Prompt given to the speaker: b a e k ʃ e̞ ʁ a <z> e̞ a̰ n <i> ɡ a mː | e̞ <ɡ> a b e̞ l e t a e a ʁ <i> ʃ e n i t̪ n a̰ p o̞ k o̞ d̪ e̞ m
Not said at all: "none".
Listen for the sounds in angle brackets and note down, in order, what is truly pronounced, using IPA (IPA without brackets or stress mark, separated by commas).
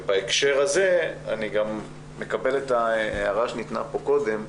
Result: z, i, k, a